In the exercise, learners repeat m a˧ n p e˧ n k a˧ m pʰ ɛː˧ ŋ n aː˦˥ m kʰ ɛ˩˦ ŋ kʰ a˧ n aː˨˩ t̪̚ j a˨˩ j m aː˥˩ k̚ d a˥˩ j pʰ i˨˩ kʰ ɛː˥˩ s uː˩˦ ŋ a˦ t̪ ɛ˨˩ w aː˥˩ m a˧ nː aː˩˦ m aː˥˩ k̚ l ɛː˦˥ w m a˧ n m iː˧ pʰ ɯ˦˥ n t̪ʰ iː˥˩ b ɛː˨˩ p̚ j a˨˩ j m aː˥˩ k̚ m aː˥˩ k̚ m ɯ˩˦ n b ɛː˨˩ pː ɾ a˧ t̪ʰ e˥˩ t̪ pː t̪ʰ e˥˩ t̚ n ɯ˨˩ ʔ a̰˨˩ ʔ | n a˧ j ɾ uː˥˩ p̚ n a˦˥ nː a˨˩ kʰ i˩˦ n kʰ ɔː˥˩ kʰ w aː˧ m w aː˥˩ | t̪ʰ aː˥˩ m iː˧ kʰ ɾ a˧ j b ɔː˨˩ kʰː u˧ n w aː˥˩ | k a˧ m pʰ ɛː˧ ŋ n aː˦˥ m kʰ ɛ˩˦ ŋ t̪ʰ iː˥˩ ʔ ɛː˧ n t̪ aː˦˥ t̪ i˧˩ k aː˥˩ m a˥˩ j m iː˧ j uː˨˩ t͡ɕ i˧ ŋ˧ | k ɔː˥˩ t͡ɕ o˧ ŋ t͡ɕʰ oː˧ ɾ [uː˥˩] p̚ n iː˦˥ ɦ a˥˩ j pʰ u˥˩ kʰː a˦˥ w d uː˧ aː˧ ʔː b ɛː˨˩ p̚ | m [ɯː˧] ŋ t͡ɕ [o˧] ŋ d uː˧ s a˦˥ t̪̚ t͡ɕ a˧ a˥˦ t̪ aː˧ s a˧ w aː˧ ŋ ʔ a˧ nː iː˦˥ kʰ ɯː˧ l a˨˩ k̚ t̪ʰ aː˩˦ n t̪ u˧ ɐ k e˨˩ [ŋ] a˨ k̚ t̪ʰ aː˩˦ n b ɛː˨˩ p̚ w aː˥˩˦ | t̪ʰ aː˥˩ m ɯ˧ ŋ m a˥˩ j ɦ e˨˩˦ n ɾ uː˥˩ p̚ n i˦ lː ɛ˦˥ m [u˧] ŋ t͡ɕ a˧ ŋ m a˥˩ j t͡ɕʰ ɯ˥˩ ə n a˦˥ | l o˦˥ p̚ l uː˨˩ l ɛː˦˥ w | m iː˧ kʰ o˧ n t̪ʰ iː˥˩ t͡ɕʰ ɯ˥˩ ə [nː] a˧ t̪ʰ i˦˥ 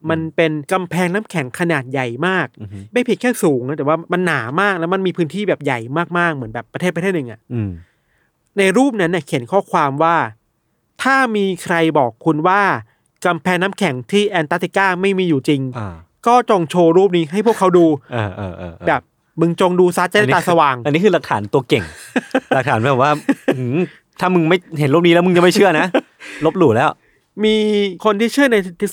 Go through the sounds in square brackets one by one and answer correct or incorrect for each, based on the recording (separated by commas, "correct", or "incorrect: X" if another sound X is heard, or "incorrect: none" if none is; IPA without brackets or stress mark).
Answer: correct, incorrect: ɯ˧, correct, correct, incorrect: ɯ˧, incorrect: n